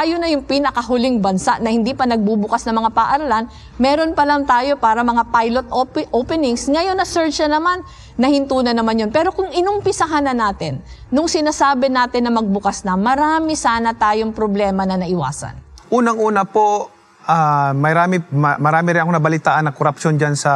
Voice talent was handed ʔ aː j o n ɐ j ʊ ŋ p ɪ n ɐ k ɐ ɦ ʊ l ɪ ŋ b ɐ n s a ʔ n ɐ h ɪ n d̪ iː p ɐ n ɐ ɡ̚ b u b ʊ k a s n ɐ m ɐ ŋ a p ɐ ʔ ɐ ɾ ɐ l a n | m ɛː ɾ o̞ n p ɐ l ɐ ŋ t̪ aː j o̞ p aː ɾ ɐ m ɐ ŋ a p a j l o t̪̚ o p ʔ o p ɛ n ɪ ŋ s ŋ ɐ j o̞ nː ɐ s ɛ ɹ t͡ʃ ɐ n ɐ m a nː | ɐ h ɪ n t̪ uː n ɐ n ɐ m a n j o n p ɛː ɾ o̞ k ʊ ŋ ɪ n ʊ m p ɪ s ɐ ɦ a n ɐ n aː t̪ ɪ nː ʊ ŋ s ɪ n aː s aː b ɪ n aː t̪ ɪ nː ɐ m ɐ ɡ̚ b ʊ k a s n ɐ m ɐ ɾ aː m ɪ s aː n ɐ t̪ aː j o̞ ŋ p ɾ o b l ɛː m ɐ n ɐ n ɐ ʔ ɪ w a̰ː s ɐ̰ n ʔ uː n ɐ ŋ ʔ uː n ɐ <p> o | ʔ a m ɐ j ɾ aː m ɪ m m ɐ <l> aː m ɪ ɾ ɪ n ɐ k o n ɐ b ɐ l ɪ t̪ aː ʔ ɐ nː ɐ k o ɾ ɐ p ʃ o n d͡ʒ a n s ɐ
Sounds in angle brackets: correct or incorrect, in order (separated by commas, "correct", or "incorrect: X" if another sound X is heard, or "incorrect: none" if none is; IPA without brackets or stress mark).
correct, incorrect: ɾ